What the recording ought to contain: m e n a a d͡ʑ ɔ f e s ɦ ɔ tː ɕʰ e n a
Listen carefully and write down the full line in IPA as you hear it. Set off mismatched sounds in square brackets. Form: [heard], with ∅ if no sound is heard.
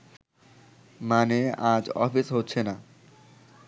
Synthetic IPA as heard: m [a] n [e] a d͡ʑ ɔ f [i] s ɦ [o] tː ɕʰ e n a